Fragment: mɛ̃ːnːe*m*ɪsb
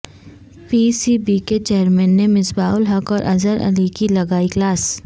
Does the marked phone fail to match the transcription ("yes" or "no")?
no